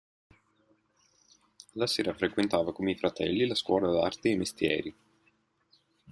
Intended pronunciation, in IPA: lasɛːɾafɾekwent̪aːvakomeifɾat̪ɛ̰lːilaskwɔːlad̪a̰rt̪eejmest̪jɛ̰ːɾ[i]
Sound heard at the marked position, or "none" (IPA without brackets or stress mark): i